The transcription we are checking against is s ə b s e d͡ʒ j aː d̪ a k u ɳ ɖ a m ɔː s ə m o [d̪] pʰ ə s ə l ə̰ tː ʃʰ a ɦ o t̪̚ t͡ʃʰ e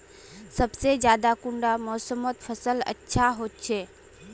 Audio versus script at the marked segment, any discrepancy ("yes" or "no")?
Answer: yes